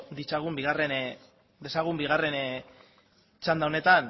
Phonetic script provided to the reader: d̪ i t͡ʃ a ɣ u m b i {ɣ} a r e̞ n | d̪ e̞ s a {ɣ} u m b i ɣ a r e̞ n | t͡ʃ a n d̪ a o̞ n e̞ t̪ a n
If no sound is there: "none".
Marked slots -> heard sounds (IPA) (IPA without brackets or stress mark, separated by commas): ɣ, ɣ